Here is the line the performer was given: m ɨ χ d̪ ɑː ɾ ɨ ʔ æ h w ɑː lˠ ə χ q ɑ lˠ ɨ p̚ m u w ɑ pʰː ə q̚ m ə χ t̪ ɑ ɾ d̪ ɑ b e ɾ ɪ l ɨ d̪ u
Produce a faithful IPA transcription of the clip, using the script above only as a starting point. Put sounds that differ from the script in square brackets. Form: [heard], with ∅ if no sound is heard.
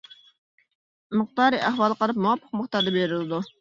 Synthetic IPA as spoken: m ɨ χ [t̪] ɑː ɾ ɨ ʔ æ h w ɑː lˠ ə [∅] q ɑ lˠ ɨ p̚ m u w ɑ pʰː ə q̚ m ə χ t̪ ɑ ɾ d̪ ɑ b e ɾ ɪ l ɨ d̪ u